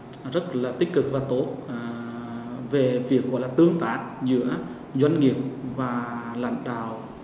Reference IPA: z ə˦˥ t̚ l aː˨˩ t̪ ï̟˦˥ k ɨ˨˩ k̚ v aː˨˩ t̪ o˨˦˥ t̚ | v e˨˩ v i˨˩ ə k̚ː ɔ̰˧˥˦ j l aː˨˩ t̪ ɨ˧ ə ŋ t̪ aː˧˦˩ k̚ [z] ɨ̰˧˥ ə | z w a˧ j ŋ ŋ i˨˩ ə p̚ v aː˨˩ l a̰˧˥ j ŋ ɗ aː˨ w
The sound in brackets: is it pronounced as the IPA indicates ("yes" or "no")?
yes